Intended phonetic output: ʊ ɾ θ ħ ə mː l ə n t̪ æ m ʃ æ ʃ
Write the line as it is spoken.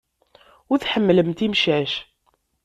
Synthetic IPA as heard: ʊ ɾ θ ħ ə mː l ə m t̪ i m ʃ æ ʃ